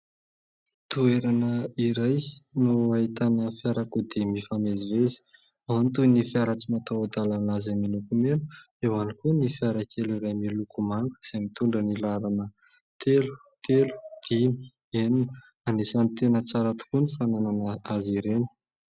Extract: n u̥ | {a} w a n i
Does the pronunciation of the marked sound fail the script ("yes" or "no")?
yes